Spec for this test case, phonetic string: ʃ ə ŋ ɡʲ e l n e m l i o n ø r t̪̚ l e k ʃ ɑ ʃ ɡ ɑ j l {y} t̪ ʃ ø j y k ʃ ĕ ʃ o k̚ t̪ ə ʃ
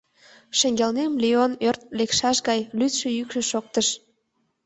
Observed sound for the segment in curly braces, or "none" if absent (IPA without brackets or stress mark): y